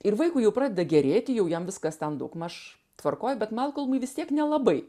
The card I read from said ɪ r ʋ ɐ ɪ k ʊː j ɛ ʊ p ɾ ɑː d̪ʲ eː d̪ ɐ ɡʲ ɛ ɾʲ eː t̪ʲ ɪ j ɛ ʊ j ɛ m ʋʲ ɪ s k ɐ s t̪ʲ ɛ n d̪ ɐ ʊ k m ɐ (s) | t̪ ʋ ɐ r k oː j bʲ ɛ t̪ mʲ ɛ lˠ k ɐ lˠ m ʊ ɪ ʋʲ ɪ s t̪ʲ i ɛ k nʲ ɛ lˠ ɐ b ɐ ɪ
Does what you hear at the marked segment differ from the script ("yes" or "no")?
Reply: yes